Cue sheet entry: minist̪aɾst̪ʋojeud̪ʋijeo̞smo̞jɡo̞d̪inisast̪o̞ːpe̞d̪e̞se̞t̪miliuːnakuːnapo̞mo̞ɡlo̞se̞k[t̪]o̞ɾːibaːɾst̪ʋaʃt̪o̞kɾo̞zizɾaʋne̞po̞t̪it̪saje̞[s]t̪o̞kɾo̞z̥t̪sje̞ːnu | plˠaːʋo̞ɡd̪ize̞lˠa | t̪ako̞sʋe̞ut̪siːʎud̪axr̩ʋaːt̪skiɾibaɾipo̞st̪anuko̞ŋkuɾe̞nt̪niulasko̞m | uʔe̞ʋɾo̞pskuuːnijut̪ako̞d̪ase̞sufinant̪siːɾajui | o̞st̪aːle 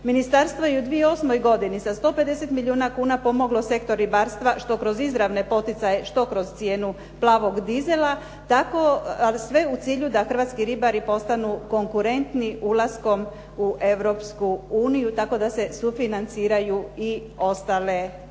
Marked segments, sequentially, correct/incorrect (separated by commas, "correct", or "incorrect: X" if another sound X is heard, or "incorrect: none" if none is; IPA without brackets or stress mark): correct, incorrect: ʃ